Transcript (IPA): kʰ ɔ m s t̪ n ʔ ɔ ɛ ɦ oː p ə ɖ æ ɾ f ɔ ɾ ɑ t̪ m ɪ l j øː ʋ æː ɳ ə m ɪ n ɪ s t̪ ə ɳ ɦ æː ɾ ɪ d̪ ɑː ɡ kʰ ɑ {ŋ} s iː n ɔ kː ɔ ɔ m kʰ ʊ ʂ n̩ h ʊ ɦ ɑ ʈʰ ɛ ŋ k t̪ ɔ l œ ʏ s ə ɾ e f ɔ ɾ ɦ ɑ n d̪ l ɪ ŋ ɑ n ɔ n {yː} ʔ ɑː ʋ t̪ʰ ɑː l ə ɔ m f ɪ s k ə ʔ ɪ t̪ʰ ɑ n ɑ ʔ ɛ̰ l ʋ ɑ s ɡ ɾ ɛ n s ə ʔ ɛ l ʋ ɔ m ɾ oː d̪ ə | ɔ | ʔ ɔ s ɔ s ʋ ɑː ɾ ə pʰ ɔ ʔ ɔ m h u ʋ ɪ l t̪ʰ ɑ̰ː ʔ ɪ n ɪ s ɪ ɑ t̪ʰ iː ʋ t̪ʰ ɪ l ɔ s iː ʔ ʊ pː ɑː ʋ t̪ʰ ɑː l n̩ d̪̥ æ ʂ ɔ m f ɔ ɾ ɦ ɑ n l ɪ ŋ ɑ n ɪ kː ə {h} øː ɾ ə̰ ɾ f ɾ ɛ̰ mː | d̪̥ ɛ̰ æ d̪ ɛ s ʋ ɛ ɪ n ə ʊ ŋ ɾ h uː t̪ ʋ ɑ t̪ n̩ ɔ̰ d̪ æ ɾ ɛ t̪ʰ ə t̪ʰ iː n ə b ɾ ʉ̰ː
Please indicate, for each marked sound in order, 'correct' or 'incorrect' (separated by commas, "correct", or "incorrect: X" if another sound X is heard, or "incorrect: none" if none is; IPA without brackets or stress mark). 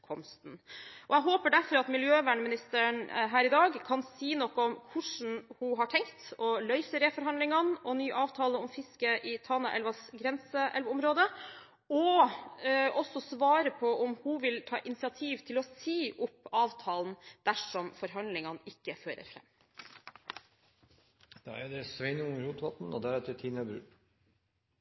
incorrect: n, correct, incorrect: f